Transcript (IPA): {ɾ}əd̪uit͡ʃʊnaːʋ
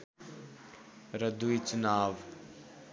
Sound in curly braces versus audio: correct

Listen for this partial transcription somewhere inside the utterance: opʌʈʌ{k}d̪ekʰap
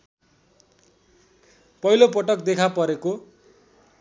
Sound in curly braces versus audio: correct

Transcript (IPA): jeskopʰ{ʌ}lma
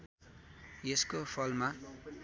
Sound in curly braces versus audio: correct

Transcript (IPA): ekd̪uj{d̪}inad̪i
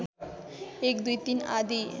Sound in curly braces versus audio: incorrect: t̪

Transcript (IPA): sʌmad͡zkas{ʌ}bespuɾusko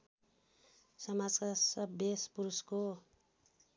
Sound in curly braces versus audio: correct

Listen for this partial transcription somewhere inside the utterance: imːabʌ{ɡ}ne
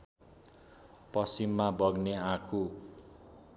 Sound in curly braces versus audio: correct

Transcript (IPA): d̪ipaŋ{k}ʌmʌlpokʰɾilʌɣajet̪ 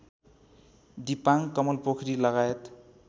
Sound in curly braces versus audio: correct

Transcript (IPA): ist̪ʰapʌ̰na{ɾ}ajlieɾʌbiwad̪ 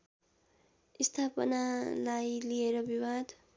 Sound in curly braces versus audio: incorrect: l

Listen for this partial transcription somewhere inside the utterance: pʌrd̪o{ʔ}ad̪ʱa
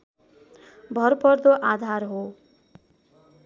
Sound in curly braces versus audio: correct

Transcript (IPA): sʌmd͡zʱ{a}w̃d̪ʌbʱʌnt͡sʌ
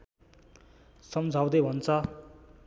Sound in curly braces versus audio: correct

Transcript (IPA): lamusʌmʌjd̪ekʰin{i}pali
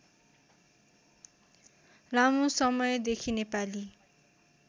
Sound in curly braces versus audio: incorrect: e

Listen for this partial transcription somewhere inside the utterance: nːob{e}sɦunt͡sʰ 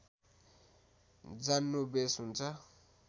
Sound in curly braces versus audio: correct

